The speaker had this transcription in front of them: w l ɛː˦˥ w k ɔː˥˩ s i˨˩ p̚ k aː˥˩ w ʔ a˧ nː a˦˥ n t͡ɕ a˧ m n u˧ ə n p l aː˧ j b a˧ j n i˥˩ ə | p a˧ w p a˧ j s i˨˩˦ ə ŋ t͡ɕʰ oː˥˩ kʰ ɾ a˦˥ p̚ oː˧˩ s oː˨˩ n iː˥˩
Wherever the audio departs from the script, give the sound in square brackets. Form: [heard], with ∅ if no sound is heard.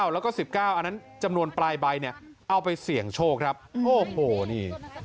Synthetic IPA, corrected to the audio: w l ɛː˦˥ w k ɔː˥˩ s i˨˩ p̚ k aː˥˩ w ʔ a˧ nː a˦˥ n t͡ɕ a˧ m n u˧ ə n p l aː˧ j b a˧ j n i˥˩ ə | [ʔ] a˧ w p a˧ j s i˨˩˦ ə ŋ t͡ɕʰ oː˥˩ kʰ ɾ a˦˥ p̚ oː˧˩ [h] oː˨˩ n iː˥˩